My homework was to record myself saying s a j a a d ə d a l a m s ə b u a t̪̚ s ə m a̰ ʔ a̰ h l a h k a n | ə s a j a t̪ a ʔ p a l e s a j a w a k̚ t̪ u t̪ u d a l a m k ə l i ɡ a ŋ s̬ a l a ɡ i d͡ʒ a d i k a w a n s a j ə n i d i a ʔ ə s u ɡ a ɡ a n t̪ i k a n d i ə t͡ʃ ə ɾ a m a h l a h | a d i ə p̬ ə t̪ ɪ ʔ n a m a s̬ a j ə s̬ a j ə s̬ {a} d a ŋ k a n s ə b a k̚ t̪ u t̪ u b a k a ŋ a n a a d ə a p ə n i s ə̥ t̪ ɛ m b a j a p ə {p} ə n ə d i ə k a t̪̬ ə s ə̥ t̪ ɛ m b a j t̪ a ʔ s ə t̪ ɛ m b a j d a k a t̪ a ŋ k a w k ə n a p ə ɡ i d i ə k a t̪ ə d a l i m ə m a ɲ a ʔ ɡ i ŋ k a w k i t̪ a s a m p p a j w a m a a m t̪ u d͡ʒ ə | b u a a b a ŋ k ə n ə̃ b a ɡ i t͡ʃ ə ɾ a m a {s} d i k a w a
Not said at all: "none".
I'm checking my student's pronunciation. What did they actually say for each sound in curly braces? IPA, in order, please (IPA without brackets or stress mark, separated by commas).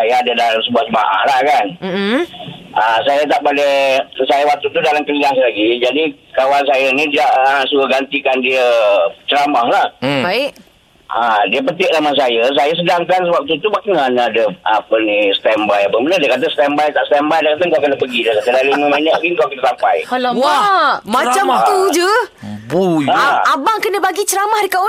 ə, b, h